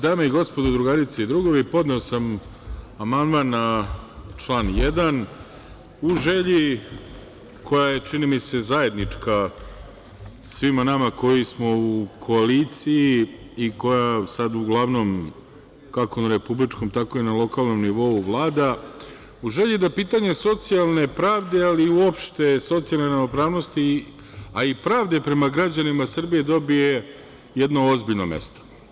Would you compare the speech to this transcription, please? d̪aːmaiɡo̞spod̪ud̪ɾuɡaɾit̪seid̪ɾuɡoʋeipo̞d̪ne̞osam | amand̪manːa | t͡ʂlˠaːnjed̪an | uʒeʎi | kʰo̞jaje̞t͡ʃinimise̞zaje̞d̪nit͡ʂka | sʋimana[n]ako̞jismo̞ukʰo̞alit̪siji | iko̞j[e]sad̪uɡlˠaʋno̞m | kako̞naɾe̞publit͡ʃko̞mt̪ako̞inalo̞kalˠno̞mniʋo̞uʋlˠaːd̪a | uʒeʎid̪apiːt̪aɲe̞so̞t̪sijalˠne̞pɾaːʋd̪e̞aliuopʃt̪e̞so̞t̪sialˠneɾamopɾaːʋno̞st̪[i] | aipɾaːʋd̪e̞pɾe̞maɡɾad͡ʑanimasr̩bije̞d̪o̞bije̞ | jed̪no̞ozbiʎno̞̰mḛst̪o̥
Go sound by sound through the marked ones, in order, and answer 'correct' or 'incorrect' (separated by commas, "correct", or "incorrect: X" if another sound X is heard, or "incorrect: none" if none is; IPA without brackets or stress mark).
incorrect: m, incorrect: a, correct